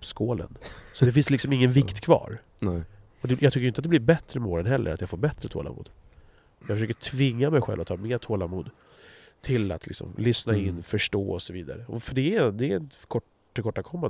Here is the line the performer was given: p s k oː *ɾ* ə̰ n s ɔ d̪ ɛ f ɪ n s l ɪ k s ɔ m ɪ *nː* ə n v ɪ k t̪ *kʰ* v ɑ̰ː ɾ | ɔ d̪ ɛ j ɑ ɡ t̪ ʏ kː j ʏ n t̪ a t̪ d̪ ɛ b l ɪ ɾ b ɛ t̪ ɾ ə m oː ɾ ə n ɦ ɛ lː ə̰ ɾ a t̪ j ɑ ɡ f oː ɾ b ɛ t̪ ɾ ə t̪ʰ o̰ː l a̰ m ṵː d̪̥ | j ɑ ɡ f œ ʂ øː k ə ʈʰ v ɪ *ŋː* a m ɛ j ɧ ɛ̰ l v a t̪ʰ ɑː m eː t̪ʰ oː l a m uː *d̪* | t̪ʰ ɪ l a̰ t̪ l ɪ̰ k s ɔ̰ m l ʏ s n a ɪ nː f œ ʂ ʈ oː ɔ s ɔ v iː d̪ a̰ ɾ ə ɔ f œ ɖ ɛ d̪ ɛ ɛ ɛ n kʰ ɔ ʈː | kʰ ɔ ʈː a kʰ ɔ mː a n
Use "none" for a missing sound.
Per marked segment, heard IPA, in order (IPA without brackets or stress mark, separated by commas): l, ŋː, kʰ, ŋː, d̪